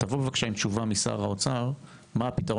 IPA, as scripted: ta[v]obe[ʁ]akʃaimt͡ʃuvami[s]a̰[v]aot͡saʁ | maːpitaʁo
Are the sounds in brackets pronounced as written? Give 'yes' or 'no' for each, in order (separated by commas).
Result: yes, no, yes, no